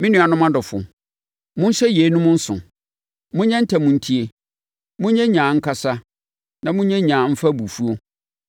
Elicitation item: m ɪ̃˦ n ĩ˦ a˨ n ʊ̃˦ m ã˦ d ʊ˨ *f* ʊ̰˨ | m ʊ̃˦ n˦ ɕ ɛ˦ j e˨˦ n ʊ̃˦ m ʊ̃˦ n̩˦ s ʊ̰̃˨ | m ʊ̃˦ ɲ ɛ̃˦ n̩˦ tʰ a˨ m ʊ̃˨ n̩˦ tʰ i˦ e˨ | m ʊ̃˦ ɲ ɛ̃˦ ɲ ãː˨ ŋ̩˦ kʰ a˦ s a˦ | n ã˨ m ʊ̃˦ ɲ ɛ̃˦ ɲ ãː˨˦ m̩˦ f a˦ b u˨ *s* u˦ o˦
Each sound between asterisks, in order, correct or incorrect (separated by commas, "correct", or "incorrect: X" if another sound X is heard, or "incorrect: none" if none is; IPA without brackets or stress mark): correct, incorrect: f